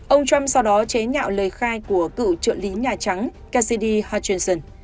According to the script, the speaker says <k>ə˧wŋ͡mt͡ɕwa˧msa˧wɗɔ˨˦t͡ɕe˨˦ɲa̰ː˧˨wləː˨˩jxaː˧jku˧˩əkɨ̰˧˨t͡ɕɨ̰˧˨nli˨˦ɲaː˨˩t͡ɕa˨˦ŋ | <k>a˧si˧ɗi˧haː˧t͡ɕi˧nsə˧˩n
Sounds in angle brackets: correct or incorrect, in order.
incorrect: ʔ, correct

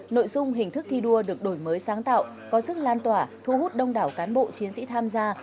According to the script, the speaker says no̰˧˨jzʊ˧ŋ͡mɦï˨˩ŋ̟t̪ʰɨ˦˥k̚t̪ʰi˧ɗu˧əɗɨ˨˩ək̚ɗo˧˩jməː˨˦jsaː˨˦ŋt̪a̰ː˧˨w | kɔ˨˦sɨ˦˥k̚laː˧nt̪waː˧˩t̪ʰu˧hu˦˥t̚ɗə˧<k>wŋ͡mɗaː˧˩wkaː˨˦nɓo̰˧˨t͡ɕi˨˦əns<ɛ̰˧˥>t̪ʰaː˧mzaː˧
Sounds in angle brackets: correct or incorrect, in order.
incorrect: none, incorrect: ḭ˧˥

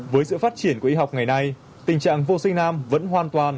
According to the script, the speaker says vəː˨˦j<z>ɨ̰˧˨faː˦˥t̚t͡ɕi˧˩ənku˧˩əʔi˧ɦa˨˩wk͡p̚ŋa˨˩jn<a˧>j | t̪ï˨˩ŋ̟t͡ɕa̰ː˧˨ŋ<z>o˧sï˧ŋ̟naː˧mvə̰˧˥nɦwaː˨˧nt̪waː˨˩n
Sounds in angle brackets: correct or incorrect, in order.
incorrect: s, correct, incorrect: v

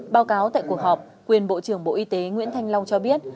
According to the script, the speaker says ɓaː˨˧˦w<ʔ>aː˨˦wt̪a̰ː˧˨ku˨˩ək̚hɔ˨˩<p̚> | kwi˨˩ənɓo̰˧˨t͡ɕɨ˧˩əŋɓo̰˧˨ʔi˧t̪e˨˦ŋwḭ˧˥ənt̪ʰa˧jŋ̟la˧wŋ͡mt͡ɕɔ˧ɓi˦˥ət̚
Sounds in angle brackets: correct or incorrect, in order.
incorrect: k, correct

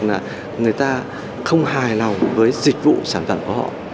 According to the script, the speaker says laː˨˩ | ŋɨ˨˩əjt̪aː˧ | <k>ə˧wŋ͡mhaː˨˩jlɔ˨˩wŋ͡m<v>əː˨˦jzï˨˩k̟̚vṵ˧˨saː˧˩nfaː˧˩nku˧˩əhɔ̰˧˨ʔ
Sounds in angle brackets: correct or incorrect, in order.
incorrect: x, correct

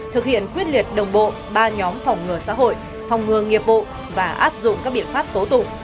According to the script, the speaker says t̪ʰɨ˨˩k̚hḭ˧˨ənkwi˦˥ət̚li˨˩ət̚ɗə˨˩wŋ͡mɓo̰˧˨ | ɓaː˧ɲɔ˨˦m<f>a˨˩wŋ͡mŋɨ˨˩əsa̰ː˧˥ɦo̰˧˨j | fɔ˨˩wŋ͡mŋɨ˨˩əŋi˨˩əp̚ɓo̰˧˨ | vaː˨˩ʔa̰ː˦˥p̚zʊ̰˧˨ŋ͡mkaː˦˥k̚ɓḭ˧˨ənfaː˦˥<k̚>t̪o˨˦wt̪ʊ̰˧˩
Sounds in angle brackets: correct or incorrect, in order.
correct, incorrect: p̚

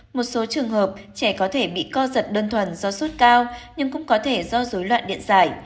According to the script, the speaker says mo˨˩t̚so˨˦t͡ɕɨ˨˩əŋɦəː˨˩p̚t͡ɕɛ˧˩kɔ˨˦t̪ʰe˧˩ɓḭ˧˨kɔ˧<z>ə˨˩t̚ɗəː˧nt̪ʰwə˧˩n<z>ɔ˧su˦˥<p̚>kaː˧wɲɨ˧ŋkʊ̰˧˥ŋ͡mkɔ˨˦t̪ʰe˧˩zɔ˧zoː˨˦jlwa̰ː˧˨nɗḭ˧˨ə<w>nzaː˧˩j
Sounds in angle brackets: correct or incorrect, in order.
correct, correct, incorrect: t̚, incorrect: none

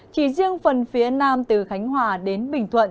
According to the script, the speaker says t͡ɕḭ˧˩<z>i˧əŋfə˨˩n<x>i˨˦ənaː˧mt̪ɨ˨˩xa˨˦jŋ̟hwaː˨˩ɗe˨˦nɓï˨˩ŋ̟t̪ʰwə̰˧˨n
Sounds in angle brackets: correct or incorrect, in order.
correct, incorrect: f

